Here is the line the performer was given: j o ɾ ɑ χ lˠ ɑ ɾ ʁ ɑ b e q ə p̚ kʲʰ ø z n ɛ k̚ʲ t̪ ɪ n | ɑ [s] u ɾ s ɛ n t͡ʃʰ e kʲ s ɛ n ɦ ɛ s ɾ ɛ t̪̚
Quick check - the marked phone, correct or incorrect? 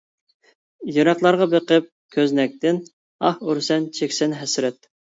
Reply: incorrect